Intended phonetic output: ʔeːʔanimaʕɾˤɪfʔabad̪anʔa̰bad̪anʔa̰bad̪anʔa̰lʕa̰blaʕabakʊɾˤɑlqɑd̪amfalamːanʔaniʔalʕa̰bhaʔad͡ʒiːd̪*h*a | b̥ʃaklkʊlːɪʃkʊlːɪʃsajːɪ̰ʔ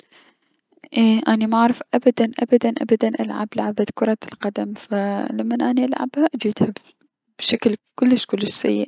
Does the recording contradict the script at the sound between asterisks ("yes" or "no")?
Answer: no